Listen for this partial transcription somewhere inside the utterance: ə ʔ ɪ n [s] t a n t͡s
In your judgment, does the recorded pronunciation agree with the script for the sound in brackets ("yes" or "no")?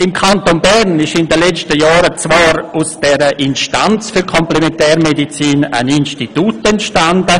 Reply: no